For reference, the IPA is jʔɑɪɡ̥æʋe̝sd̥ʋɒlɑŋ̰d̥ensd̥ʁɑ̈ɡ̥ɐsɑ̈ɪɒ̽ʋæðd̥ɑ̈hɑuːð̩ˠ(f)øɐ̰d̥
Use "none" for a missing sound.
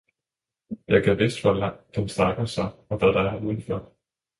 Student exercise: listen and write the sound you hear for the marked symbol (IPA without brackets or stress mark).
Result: f